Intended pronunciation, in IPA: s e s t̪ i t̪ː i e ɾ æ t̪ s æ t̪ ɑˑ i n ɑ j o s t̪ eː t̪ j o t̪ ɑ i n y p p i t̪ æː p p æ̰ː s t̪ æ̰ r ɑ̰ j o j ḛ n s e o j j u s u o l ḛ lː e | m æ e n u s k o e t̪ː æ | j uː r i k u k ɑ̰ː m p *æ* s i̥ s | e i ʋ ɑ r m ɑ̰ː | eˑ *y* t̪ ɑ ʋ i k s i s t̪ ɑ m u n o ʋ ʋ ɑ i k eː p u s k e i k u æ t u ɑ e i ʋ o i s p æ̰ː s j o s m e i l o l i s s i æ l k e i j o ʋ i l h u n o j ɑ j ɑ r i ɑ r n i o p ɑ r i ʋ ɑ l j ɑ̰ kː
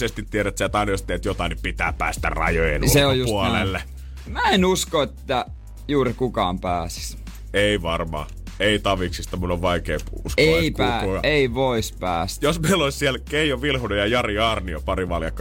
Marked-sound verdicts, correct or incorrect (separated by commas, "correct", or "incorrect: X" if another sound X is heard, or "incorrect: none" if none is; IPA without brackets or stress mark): incorrect: æː, incorrect: i